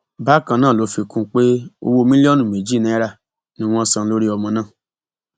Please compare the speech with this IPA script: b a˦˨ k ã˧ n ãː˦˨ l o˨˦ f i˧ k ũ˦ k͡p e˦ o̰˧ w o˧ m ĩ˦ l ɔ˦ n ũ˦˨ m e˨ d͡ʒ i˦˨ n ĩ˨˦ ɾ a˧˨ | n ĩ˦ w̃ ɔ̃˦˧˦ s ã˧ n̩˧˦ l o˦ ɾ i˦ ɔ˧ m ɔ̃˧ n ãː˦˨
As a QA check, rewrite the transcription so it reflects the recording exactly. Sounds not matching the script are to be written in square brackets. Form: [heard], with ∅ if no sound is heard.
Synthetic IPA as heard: b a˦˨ k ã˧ n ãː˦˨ l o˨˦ f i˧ k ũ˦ k͡p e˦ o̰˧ w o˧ m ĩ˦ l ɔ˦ n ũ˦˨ m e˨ d͡ʒ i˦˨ n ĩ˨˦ ɾ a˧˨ | n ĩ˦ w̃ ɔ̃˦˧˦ s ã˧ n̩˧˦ l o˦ ɾ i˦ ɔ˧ m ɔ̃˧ n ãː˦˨